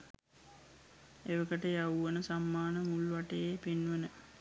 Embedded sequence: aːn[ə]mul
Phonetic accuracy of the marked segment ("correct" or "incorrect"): correct